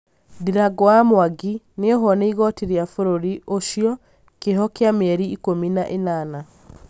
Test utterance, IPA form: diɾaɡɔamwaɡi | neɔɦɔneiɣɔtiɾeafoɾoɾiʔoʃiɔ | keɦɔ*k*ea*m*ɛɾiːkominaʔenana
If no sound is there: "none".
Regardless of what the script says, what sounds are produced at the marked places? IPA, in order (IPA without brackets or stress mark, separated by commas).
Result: k, m